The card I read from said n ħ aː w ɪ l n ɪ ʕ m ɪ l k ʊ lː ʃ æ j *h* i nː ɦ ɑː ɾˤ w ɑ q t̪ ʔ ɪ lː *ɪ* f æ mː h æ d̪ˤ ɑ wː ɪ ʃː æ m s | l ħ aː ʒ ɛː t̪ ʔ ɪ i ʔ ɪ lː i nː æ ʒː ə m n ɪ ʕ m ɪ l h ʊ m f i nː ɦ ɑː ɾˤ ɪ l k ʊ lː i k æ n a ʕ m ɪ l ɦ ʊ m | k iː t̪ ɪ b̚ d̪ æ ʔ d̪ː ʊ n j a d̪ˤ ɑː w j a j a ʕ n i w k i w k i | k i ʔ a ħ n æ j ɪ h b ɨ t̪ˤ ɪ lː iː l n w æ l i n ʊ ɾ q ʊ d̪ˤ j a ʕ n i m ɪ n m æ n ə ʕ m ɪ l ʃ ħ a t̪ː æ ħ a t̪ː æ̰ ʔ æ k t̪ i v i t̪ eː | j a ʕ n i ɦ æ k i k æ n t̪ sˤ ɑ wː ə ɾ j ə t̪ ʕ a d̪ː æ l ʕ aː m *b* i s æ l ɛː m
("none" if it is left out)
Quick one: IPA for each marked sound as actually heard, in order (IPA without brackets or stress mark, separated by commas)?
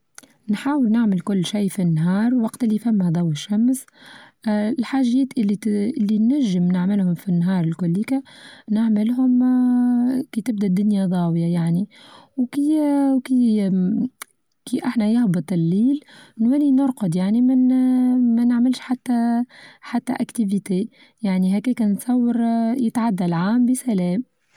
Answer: f, i, b